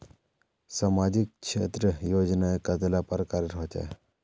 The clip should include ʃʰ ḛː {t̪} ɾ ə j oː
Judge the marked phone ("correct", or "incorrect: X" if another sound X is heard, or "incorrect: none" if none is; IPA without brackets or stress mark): correct